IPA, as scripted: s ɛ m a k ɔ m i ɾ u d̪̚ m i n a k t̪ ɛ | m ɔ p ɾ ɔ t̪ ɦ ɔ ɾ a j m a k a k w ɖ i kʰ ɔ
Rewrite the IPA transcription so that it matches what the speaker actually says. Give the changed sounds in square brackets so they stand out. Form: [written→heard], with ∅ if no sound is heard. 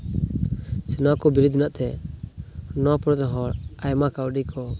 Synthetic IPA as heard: s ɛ [m→n] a k ɔ [m→b] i ɾ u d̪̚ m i n a [k→ʔ] t̪ ɛ | [m→n] ɔ p ɾ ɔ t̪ ɦ ɔ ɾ a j m a k a [k→∅] w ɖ i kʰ ɔ

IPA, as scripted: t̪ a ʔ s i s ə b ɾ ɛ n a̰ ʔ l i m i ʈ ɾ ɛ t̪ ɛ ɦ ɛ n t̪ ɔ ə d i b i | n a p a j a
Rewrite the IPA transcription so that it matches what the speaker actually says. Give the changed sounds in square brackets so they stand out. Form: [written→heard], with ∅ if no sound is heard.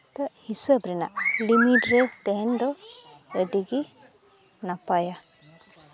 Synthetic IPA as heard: t̪ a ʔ [s→h] i s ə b ɾ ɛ n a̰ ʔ l i m i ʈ ɾ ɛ t̪ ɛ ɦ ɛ n [t̪→d̪] ɔ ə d i [b→ɡ] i | n a p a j a

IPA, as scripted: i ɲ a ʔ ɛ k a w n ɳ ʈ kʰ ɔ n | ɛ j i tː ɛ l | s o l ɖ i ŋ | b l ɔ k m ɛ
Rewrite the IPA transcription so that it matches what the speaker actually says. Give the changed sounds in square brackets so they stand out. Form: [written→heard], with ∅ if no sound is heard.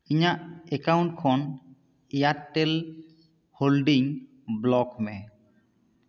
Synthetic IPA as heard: i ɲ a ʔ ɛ k a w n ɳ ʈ kʰ ɔ n | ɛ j [i→a] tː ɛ l | [s→h] o l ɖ i ŋ | b l ɔ k m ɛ

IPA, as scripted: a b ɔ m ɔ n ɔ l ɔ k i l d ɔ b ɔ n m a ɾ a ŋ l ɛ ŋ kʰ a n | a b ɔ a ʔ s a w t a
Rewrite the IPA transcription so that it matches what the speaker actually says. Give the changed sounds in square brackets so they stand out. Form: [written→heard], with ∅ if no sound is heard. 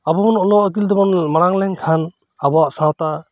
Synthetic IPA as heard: a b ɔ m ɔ n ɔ l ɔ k i l d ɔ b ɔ n m a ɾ a ŋ l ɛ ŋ kʰ a n | a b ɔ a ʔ s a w t a

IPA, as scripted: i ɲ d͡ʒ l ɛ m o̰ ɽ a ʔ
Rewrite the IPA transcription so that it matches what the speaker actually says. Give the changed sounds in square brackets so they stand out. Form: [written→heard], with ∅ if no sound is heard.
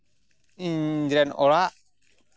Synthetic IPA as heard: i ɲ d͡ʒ [l→ɾ] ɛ [m→n] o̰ [ɽ→l] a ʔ

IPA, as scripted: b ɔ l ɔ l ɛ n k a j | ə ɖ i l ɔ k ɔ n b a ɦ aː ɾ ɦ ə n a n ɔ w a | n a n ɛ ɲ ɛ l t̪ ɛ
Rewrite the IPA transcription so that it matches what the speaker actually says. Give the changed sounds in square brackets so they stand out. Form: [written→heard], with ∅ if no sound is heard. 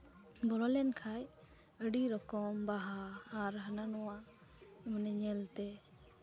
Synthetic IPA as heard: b ɔ l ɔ l ɛ n [k→kʰ] a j | ə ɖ i [l→ɾ] ɔ k ɔ [n→m] b a ɦ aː ɾ ɦ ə n a n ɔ w a | [n→m] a n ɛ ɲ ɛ l t̪ ɛ

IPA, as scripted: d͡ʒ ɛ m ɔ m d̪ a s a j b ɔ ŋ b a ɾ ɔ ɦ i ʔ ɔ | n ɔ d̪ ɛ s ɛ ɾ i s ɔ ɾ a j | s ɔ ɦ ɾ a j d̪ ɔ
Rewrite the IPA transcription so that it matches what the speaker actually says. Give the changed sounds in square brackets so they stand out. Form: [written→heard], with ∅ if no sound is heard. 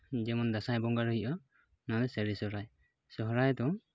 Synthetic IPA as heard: d͡ʒ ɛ m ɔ [m→n] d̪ a s a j b ɔ ŋ [b→ɡ] a ɾ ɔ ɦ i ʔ ɔ | n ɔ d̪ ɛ s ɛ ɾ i s ɔ ɾ a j | s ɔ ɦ ɾ a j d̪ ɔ

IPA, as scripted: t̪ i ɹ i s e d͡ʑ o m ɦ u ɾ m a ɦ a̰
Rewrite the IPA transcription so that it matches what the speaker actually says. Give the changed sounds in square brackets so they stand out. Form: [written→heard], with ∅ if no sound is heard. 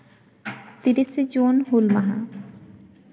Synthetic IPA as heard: t̪ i [ɹ→ɾ] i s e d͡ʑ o [m→n] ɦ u [ɾ→l] m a ɦ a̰

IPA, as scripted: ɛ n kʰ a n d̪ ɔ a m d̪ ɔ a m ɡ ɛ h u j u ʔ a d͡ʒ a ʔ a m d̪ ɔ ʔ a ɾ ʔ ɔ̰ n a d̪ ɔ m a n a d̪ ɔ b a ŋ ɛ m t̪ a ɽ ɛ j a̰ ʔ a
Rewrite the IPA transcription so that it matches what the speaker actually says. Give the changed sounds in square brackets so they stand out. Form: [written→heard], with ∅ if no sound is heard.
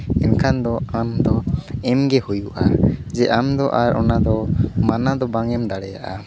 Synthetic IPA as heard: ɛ n kʰ a n d̪ ɔ a m d̪ ɔ [a→ɛ] m ɡ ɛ h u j u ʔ a d͡ʒ [a→ɛ] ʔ a m d̪ ɔ ʔ a ɾ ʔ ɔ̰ n a d̪ ɔ m a n a d̪ ɔ b a ŋ ɛ m [t̪→d̪] a ɽ ɛ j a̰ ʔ a

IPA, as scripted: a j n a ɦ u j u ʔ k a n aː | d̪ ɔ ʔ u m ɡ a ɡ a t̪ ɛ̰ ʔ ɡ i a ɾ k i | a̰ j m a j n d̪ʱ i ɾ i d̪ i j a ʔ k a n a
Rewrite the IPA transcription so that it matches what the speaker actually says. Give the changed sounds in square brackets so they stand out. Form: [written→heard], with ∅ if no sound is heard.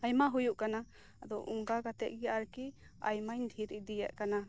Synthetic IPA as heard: a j [n→m] a ɦ u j u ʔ k a n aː | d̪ ɔ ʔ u [m→ŋ] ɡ a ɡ a t̪ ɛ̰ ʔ ɡ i a ɾ k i | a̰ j m a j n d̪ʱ i ɾ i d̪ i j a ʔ k a n a

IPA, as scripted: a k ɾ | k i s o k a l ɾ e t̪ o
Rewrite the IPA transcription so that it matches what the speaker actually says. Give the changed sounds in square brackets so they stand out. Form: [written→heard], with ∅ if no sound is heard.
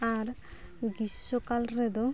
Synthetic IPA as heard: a [k→∅] ɾ | [k→ɡ] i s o k a l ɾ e [t̪→d̪] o

